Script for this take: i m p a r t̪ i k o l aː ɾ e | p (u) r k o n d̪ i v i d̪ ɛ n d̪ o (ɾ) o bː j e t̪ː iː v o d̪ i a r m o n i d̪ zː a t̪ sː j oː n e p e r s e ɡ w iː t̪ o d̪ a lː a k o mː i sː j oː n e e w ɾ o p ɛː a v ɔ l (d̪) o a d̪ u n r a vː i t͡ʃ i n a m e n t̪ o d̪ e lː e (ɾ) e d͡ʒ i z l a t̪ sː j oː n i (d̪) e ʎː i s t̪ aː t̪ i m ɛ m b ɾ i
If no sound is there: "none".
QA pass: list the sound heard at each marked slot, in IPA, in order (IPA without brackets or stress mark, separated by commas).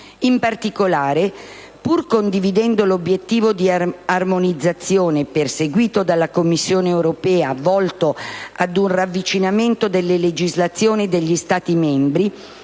u, l, t̪, l, d̪